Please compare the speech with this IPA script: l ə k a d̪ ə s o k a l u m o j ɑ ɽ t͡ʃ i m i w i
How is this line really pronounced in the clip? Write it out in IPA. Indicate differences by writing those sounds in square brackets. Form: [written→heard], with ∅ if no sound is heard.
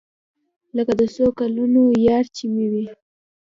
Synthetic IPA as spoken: l ə k a d̪ ə s o k a l u [m→n] o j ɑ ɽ t͡ʃ i m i w i